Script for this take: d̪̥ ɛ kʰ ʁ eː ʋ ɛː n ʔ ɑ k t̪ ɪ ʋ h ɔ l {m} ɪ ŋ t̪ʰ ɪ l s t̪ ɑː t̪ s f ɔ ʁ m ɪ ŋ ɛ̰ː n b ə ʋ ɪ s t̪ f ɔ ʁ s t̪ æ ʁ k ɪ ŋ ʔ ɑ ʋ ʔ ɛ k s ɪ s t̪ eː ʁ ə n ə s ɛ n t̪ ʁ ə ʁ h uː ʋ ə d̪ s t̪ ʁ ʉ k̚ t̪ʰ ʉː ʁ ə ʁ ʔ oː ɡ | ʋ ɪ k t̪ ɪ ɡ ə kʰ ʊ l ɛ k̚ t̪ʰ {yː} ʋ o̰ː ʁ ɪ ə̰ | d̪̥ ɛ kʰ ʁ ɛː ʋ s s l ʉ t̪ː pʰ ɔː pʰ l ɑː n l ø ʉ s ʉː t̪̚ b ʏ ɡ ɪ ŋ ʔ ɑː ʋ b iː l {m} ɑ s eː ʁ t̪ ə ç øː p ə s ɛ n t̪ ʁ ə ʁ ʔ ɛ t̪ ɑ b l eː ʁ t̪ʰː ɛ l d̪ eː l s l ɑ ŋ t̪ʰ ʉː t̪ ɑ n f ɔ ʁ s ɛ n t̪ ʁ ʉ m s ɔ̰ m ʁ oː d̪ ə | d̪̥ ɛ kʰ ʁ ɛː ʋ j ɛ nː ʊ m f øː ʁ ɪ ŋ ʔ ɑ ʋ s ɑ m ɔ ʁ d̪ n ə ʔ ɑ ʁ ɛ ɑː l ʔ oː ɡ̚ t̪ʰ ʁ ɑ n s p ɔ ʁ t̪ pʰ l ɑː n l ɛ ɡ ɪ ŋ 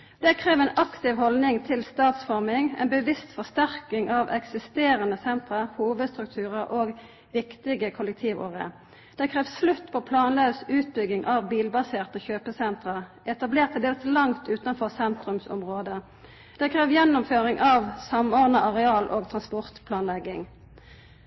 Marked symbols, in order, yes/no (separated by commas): no, no, no